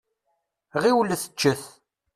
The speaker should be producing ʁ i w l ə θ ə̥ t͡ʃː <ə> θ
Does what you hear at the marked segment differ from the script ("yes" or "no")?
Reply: no